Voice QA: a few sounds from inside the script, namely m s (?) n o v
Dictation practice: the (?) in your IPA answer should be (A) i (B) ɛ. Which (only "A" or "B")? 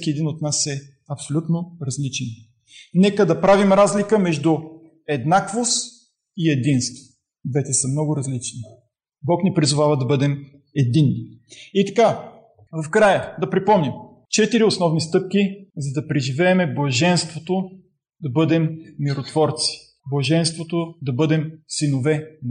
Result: A